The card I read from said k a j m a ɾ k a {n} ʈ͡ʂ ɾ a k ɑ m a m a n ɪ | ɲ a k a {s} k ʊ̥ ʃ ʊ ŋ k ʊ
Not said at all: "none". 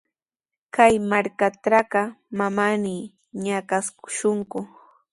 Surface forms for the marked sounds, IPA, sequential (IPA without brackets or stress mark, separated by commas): none, s